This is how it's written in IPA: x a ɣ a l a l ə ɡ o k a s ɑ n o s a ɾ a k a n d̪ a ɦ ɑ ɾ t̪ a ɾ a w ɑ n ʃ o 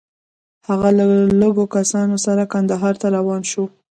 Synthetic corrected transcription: h a ɣ a l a l ə ɡ o k a s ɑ n o s a ɾ a k a n d̪ a ɦ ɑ ɾ t̪ a ɾ a w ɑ n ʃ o